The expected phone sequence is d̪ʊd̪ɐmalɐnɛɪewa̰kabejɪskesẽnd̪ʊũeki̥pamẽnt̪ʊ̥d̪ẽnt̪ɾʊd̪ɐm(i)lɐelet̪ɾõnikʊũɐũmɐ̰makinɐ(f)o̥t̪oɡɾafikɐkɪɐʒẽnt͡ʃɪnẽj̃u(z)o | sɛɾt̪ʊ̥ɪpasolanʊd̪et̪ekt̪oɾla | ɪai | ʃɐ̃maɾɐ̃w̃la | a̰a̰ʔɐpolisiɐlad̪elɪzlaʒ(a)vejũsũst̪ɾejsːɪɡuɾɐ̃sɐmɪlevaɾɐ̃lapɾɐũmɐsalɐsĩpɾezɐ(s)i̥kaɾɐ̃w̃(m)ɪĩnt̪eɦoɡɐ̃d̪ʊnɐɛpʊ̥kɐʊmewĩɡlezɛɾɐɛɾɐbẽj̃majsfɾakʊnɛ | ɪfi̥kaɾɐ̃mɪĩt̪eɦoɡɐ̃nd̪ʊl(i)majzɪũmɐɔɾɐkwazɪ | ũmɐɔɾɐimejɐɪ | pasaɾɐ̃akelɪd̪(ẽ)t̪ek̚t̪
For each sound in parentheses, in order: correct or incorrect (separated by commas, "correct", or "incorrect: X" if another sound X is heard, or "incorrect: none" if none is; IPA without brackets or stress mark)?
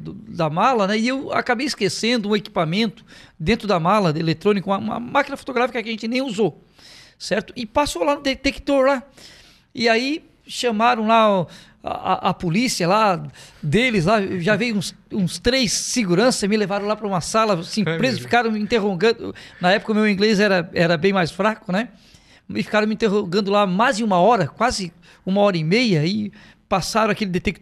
incorrect: a, correct, correct, correct, incorrect: f, correct, incorrect: a, incorrect: e